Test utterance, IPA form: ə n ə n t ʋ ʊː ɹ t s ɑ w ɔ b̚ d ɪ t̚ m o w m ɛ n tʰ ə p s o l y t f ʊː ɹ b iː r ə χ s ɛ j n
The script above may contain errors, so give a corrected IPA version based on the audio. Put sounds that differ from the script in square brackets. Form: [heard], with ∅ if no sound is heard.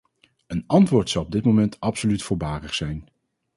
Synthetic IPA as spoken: ə n [ɑ] n t ʋ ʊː ɹ t s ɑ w ɔ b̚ d ɪ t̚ m o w m ɛ n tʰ [ɑ] p s o l y t f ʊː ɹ b [aː] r ə χ s ɛ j n